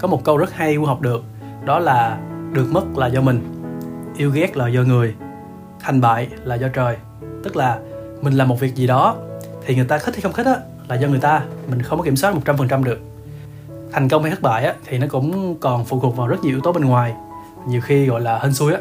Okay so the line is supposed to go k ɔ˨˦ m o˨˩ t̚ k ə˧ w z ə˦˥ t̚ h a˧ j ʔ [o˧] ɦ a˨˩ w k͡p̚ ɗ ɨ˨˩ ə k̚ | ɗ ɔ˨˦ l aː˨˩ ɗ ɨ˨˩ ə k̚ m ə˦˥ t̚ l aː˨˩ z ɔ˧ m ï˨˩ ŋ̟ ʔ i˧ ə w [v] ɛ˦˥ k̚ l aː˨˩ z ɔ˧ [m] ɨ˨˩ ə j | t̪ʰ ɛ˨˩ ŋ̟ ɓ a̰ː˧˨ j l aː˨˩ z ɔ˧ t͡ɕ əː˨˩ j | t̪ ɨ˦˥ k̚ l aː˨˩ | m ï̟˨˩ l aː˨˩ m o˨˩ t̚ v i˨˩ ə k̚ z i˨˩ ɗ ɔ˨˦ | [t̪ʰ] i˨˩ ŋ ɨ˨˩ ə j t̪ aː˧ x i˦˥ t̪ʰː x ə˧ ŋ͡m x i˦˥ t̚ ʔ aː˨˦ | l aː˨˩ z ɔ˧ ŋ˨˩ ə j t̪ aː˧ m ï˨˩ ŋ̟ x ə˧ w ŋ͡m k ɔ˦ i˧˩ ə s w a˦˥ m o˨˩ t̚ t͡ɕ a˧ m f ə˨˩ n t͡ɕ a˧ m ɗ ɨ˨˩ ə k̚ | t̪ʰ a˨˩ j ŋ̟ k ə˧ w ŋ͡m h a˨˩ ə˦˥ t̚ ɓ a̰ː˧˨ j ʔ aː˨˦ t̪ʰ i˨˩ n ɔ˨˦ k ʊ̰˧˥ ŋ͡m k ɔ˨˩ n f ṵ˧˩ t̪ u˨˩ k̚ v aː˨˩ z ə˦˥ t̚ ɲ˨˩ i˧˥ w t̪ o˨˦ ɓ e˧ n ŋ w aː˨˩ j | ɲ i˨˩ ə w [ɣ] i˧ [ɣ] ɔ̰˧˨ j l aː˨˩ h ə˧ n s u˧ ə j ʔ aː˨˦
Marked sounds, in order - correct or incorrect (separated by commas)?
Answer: incorrect, incorrect, incorrect, correct, incorrect, correct